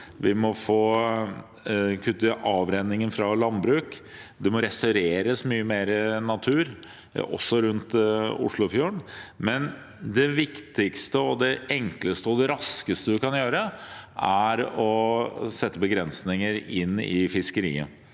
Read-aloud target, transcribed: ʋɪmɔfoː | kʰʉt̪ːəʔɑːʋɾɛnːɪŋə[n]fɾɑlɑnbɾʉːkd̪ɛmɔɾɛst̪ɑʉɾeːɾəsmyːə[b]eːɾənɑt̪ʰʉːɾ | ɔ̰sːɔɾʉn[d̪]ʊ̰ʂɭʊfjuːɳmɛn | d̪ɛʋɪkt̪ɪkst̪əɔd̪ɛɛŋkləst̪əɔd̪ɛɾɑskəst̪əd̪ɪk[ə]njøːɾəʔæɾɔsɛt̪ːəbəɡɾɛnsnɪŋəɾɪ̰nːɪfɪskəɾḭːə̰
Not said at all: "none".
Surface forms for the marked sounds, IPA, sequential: n, m, t̪, ɑ

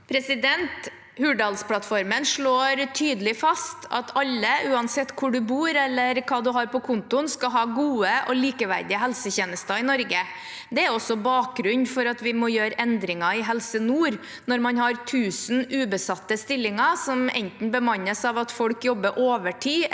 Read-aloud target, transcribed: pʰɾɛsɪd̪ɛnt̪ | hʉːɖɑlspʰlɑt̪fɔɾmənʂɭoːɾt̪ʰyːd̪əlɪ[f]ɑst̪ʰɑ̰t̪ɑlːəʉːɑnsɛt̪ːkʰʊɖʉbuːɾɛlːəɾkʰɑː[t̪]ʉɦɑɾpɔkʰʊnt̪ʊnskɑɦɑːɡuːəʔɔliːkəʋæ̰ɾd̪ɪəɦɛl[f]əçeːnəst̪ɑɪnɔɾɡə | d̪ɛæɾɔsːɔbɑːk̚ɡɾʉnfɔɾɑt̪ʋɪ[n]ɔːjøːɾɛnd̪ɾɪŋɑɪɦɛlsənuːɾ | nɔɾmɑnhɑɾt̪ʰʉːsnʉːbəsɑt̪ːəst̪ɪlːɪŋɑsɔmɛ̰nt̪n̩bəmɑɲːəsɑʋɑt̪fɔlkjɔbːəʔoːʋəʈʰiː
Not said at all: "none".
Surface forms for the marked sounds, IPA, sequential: f, d̪, s, m

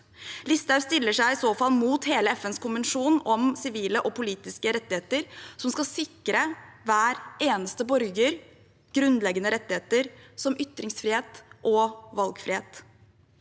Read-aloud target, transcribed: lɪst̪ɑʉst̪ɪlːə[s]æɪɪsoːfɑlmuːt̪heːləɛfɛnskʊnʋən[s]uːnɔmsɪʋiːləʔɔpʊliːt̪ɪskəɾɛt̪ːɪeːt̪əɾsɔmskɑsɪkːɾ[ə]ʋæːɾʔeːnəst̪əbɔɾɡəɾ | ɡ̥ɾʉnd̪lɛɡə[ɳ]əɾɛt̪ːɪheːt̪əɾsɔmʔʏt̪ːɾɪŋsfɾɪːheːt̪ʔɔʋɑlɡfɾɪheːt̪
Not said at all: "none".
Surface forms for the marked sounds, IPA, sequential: ʂ, ʂ, ə, n

